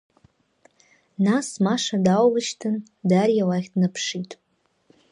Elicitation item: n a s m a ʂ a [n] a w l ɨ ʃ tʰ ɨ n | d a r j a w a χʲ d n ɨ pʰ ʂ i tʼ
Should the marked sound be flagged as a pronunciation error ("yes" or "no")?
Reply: yes